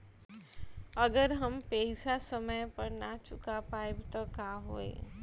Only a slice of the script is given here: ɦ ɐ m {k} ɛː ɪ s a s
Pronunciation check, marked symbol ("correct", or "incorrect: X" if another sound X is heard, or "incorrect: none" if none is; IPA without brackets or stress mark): incorrect: p